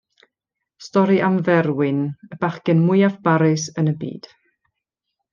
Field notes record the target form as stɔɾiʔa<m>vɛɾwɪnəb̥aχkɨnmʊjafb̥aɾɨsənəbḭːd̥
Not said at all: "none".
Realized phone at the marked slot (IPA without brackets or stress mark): m